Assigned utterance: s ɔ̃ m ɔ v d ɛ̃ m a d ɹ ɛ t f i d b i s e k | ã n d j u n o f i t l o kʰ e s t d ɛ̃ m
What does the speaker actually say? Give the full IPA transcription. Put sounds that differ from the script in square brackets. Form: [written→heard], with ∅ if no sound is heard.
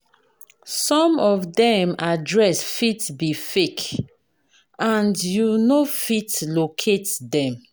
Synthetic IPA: s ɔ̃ m ɔ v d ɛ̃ m a d ɹ ɛ [t→s] f i [d→t] b i [s→f] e k | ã n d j u n o f i t l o kʰ e [s→∅] t d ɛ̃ m

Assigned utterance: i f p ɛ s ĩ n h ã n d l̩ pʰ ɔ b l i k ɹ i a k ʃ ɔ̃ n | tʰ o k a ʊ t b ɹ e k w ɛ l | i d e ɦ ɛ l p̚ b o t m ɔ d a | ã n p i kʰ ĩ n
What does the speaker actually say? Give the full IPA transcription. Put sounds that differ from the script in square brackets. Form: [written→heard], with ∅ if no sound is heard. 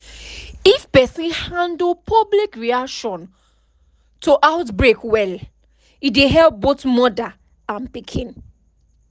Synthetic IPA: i f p ɛ s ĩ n h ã n d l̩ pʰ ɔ b l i k ɹ i a k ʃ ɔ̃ n | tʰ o [k→ʔ] a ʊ t b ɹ e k w ɛ l | i d e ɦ ɛ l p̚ b o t m ɔ d a | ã n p i kʰ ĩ n

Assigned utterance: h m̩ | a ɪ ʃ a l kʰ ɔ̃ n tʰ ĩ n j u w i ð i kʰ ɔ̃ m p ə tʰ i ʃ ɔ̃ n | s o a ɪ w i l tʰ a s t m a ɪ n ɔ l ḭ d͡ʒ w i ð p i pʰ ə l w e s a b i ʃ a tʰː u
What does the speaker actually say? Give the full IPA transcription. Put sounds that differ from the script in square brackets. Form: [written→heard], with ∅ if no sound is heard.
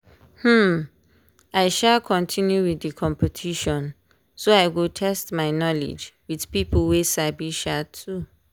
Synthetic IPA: h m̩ | a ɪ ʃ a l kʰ ɔ̃ n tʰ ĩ n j u w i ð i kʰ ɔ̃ m p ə tʰ i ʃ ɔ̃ n | s o a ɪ w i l tʰ [a→ɛ] s t m a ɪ n ɔ l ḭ d͡ʒ w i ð p i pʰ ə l w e s a b i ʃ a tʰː u

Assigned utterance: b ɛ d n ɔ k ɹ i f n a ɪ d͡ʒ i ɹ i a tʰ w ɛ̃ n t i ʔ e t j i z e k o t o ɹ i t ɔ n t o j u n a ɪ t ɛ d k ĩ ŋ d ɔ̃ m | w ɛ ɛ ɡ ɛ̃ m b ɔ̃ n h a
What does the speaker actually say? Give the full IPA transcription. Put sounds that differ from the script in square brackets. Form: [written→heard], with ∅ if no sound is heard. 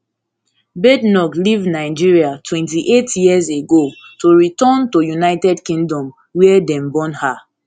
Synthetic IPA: b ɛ d n ɔ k [ɹ→l] i [f→v] n a ɪ d͡ʒ i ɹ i a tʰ w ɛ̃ n t i ʔ e t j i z e [k→ɡ] o t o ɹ i t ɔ n t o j u n a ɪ t ɛ d k ĩ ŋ d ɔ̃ m | w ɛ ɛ [ɡ→d] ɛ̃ m b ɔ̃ n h a

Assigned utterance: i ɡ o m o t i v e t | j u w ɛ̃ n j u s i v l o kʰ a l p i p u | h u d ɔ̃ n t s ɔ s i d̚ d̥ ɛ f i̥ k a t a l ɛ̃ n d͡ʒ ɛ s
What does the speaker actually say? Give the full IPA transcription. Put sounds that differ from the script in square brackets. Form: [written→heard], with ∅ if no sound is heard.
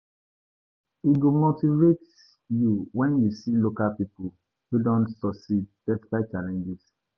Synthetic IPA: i ɡ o m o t i v e t | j u w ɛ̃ n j u s i [v→∅] l o [kʰ→k] a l p i p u | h u d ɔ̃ n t s ɔ s i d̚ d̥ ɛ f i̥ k a [t→t͡ʃ] a l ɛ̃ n d͡ʒ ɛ s

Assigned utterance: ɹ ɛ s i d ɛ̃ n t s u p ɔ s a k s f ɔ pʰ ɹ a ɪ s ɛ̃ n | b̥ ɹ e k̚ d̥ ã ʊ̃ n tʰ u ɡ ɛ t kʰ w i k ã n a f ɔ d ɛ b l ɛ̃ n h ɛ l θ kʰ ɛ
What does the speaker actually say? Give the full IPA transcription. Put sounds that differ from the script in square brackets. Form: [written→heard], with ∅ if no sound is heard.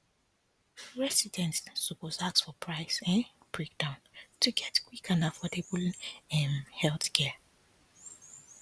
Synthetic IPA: ɹ ɛ s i d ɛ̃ n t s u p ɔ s a k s f ɔ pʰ ɹ a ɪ s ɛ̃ n | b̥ ɹ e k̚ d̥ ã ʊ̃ n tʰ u ɡ ɛ t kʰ w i k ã n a f ɔ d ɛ b l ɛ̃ n h ɛ l θ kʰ ɛ

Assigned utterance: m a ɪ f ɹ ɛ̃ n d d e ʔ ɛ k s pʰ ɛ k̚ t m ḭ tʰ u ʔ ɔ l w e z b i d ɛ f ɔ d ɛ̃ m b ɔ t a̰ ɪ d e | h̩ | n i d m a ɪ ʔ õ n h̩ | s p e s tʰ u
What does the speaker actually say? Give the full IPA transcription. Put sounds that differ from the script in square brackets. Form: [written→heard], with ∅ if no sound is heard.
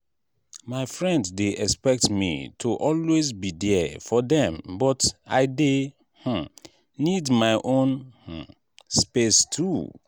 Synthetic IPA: m a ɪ f ɹ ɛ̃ n d d e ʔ ɛ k s [pʰ→p] ɛ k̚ t m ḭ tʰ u ʔ ɔ l w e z b i d ɛ f ɔ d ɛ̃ m b ɔ t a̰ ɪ d e | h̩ | n i d m a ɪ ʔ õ n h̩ | s p e s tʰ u

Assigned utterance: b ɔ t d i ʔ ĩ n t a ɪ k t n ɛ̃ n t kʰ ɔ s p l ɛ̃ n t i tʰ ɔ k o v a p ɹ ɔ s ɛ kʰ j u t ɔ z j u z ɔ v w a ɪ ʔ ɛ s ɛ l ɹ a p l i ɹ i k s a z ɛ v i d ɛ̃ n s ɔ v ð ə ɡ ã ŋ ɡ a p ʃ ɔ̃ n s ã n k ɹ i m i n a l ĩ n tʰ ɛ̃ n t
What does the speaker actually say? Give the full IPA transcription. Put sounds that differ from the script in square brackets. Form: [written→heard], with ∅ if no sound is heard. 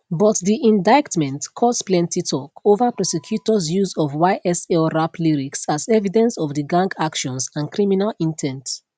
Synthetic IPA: b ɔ t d i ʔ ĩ n [t→d] a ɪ k t [n→m] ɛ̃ n t kʰ ɔ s p l ɛ̃ n t i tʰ ɔ k o v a p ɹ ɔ s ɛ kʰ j u t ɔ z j u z ɔ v w a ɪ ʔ ɛ s ɛ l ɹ a p l i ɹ i k s a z ɛ v i d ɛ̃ n s ɔ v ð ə ɡ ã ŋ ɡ a [p→k] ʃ ɔ̃ n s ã n k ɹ i m i n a l ĩ n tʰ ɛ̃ n t

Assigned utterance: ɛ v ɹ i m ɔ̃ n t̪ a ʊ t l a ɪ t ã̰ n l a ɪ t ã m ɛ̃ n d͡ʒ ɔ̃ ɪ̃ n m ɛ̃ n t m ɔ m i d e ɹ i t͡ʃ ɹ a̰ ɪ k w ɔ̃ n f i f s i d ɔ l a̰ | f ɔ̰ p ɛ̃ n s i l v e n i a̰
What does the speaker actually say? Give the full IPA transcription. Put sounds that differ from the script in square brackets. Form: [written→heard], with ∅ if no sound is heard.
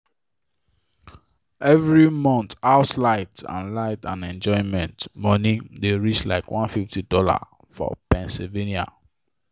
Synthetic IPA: ɛ v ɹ i m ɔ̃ n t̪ a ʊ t l a ɪ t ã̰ n l a ɪ t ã [m→n] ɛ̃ n d͡ʒ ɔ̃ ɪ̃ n m ɛ̃ n t m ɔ [m→n] i d e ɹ i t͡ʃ [ɹ→l] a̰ ɪ k w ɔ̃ n f i f [s→t] i d ɔ l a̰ | f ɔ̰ p ɛ̃ n s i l v e n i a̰

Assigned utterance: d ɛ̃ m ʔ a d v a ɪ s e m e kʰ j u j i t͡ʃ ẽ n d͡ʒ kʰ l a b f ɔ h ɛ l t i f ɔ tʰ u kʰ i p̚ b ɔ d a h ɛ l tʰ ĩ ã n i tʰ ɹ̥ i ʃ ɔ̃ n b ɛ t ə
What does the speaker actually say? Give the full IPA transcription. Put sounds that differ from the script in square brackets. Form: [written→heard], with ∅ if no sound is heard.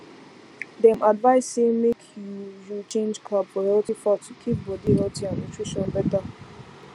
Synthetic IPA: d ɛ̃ m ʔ a d v a ɪ s e m e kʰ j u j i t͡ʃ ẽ n d͡ʒ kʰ l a b f ɔ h ɛ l t i f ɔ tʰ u kʰ i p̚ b ɔ d [a→i] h ɛ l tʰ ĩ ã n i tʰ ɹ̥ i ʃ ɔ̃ n b ɛ t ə

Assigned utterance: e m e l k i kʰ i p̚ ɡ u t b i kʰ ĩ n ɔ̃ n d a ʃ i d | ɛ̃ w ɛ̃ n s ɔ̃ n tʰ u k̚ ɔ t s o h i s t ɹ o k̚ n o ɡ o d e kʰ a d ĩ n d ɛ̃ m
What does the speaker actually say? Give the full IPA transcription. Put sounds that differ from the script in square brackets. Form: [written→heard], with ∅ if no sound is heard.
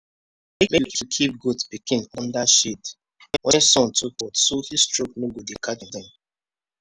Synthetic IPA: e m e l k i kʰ i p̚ ɡ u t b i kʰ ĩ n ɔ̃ n d a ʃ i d | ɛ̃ w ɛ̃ n s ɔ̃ n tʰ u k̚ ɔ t s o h i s t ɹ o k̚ n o ɡ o d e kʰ a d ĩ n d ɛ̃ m

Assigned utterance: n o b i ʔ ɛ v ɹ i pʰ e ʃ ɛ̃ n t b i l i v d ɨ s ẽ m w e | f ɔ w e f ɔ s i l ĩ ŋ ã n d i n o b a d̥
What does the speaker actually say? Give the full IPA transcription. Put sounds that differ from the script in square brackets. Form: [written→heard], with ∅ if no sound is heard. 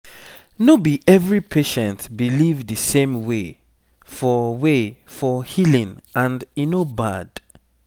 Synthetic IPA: n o b i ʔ ɛ v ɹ i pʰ e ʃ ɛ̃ n t b i l i v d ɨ s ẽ m w e | f ɔ w e f ɔ [s→h] i l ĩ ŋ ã n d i n o b a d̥

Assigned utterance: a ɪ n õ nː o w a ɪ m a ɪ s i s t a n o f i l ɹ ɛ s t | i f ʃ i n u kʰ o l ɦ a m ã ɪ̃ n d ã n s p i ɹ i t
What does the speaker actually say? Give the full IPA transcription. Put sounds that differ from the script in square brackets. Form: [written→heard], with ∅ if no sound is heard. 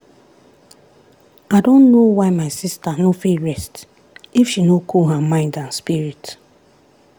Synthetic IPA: a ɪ [n→d] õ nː o w a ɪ m a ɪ s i s t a n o f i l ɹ ɛ s t | i f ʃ i n [u→o] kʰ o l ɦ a m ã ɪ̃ n d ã n s p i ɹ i t

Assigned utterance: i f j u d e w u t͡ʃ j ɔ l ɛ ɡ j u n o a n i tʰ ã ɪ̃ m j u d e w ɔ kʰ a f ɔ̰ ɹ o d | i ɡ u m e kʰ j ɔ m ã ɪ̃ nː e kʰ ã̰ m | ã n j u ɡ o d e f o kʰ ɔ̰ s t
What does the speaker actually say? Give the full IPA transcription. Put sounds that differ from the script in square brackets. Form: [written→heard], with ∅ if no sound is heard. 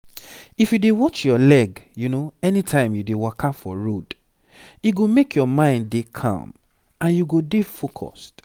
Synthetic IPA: i f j u d e w [u→ɔ] t͡ʃ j ɔ l ɛ ɡ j u n o [a→ɛ] n i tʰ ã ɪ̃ m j u d e w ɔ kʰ a f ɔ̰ ɹ o d | i ɡ [u→o] m e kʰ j ɔ m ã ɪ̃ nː e kʰ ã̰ m | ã n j u ɡ o d e f o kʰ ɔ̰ s t

